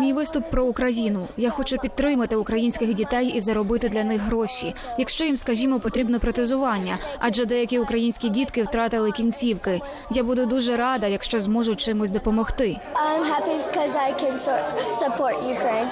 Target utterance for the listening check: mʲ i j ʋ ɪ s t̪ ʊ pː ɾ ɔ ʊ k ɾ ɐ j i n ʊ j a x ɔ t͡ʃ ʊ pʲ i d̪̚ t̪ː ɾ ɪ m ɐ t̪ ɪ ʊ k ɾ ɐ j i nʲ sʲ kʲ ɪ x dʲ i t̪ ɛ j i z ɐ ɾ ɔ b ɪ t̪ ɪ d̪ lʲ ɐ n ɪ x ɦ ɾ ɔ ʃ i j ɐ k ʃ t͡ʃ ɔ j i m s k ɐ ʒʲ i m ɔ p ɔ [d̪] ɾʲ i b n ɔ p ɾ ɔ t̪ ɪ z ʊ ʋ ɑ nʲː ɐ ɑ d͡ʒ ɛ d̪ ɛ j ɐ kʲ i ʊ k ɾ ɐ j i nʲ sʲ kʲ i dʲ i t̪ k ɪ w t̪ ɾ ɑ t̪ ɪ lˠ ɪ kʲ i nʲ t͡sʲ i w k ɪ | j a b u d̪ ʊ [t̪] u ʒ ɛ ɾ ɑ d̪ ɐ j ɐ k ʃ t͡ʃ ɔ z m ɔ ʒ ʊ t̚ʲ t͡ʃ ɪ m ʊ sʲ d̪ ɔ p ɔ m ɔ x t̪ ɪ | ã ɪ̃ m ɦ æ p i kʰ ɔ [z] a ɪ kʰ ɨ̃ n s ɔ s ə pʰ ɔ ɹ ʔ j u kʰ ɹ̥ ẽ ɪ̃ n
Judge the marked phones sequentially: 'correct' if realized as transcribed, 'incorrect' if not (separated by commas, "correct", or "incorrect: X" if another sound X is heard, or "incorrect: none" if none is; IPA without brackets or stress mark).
incorrect: t̪, incorrect: d̪, correct